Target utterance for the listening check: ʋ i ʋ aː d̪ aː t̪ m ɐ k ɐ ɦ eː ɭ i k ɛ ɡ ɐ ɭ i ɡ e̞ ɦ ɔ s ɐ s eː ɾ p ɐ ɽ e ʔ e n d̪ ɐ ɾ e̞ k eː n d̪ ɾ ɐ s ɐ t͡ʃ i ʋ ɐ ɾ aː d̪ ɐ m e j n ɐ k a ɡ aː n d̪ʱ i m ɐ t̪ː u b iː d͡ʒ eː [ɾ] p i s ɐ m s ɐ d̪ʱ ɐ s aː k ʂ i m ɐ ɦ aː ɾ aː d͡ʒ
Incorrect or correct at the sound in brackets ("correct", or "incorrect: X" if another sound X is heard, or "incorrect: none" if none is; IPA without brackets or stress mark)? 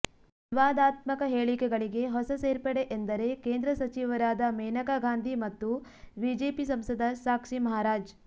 incorrect: none